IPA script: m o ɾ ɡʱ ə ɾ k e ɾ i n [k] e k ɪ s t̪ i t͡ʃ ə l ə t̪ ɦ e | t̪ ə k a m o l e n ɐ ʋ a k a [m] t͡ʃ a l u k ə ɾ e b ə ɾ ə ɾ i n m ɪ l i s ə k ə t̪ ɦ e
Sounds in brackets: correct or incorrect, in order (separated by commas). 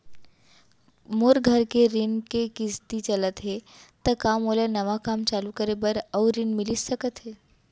correct, correct